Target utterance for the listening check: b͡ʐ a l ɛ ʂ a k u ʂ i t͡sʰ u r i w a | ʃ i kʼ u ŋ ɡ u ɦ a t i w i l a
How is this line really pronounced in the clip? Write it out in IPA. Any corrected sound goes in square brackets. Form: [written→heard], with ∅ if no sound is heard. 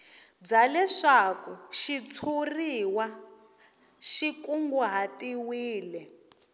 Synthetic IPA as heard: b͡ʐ a l ɛ ʂ a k u [ʂ→ʃ] i t͡sʰ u r i w a | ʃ i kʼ u ŋ ɡ u ɦ a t i w [i→iː] l [a→ɛ]